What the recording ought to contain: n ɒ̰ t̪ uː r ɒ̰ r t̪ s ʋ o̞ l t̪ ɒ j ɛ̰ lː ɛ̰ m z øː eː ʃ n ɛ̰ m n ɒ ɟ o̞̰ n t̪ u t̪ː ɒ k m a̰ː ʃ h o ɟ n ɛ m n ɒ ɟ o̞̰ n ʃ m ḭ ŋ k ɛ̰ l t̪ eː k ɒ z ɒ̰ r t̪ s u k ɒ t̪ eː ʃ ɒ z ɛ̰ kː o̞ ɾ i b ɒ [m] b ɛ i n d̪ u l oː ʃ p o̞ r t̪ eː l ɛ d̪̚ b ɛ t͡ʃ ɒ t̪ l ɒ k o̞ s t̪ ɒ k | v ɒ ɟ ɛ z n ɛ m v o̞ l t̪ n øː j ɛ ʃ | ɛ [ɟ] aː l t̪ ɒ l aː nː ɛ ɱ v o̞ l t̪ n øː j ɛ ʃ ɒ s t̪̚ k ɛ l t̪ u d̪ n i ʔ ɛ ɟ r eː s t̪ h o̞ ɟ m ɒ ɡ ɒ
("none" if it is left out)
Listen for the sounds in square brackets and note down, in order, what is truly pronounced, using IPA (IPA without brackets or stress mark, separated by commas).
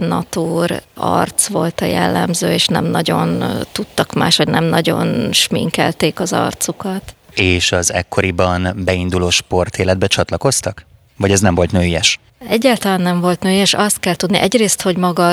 n, ɟː